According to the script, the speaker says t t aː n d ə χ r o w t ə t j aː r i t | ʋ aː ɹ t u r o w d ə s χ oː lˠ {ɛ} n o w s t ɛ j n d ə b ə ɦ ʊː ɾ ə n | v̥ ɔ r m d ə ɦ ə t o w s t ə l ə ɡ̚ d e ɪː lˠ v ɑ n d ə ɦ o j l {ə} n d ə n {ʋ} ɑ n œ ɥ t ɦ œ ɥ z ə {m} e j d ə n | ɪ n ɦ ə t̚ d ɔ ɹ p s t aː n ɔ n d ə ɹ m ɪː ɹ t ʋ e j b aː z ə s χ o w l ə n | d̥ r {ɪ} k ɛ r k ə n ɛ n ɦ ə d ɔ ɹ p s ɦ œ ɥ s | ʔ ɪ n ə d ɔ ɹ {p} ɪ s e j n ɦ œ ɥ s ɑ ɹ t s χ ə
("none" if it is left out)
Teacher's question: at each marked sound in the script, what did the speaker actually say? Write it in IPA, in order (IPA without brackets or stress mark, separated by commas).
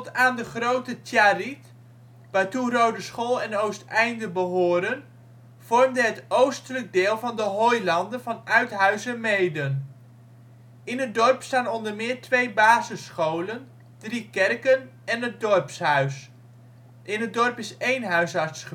ɛ, ɑ, v, m, i, p